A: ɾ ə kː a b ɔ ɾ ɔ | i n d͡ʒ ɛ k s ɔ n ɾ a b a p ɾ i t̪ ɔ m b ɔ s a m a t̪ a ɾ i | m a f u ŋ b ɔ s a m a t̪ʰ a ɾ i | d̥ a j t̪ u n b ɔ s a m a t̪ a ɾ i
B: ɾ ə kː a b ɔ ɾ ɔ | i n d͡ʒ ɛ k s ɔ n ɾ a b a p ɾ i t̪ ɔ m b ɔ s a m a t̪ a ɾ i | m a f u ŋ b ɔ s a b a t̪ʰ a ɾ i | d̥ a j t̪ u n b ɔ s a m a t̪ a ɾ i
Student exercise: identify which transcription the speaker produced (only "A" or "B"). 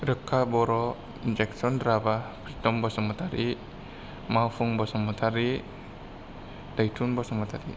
A